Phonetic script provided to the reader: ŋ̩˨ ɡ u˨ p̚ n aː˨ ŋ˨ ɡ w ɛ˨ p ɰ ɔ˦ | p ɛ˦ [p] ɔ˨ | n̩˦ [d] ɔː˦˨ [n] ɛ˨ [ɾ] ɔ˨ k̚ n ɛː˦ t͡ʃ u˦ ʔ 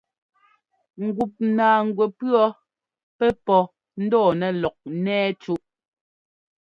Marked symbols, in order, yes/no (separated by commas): yes, yes, yes, no